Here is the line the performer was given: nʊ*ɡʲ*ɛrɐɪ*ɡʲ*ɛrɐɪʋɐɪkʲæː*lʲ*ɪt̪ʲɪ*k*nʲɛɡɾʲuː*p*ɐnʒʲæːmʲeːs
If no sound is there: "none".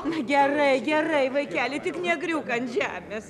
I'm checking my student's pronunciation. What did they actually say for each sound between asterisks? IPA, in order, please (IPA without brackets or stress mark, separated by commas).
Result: ɡʲ, ɡʲ, lʲ, k, k